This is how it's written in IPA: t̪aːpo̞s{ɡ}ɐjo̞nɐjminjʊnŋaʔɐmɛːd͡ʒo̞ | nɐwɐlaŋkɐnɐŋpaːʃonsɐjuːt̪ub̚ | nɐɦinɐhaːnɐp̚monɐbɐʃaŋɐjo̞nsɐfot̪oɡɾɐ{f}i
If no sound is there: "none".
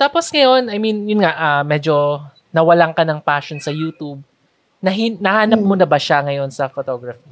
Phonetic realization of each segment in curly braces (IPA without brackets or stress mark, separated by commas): ŋ, f